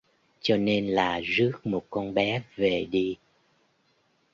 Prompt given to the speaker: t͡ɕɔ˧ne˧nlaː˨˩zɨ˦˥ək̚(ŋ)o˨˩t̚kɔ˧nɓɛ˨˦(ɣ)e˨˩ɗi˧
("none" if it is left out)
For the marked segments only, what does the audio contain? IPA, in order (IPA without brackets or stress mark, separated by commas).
m, v